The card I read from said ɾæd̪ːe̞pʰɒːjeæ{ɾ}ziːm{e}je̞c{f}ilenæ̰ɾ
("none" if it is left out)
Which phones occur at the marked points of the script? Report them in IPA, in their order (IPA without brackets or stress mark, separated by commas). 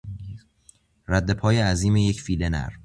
none, e, f